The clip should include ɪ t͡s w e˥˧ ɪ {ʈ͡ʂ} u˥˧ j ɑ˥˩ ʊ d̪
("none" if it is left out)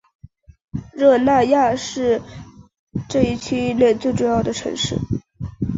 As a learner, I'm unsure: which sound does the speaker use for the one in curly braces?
ʈ͡ʂ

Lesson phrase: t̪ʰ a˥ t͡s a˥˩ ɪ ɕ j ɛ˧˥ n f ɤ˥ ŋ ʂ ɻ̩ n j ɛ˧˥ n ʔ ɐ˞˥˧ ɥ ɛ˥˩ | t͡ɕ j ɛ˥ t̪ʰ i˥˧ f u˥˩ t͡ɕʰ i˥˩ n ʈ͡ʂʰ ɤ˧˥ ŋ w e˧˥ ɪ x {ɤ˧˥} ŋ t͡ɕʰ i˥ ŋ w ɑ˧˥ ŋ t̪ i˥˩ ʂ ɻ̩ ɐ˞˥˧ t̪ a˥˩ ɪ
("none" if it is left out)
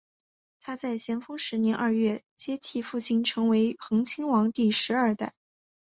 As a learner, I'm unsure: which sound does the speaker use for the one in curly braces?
ɤ˧˥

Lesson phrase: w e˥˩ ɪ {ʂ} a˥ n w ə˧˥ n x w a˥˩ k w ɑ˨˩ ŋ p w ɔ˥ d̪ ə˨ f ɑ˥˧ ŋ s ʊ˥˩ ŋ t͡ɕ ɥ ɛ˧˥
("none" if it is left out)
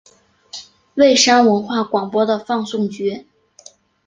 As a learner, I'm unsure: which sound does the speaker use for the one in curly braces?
ʂ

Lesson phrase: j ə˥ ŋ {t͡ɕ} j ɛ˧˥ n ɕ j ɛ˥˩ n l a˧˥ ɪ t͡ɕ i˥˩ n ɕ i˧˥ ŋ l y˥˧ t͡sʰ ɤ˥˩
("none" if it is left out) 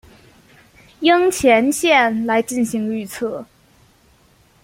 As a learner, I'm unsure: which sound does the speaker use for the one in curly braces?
t͡ɕʰ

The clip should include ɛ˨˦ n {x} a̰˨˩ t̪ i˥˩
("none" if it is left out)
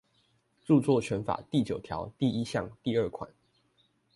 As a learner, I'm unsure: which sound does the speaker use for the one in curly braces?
f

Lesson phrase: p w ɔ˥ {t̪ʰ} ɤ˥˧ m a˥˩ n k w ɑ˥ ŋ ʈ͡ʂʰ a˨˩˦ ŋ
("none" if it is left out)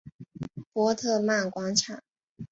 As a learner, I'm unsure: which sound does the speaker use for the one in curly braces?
t̪ʰ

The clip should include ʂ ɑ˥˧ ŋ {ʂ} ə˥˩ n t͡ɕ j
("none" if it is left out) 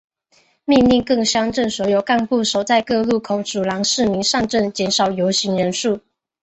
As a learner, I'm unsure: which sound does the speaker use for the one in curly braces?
ʈ͡ʂ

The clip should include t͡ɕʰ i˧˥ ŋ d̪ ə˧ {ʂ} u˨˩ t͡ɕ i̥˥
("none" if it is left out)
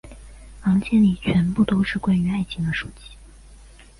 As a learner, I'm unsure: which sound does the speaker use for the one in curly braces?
ʂ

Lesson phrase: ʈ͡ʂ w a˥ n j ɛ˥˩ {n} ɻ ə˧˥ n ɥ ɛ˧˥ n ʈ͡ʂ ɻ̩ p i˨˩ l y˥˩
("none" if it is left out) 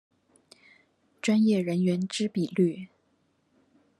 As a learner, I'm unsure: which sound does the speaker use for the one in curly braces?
none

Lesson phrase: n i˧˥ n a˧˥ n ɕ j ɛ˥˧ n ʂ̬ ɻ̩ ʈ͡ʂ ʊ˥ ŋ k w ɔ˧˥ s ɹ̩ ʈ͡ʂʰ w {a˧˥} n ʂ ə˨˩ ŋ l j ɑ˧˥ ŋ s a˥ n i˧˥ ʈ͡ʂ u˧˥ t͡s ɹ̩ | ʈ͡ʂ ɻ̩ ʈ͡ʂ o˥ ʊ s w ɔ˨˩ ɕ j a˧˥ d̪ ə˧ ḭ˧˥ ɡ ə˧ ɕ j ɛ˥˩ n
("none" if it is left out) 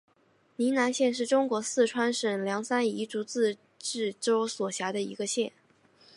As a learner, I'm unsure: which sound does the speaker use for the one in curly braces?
a˥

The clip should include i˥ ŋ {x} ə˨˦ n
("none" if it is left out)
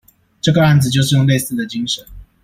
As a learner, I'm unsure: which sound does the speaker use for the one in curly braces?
ʂ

